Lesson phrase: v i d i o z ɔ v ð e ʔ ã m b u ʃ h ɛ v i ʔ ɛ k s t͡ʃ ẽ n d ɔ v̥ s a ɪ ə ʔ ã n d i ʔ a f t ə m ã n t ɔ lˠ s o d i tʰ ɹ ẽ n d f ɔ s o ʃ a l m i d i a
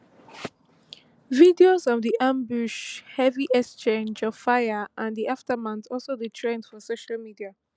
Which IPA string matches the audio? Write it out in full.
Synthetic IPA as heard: v i d i o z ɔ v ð i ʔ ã m b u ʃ h ɛ v i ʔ ɛ k s t͡ʃ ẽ n d͡ʒ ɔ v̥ f a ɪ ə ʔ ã n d i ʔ a f t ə m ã n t ɔ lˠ s o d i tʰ ɹ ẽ n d f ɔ s o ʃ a l m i d i a